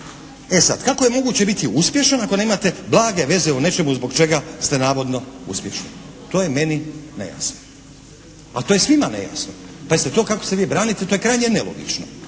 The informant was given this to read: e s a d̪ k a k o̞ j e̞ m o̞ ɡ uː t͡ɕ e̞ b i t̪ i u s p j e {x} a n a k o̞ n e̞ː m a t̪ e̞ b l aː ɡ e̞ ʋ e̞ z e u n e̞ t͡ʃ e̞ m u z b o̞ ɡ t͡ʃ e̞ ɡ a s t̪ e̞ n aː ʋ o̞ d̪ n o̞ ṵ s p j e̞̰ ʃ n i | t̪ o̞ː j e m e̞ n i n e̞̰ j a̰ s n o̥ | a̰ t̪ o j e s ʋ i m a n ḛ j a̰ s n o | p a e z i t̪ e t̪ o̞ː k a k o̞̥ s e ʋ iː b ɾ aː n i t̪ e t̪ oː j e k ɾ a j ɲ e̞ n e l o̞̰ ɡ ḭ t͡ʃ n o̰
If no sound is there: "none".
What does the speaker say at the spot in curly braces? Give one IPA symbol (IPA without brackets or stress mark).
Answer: ʃ